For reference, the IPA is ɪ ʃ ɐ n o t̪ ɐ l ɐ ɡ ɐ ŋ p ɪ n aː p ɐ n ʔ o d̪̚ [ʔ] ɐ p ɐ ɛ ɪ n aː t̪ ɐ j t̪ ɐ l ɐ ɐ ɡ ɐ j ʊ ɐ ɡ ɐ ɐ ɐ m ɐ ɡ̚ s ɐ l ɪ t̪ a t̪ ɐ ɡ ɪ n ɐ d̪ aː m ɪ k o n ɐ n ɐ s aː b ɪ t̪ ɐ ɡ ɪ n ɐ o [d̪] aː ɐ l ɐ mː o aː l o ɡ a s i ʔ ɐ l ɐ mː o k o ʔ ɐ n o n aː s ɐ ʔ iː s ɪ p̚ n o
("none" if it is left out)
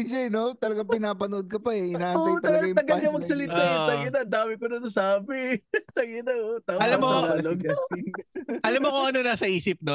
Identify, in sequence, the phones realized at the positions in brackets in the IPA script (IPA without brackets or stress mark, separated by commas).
k, t̪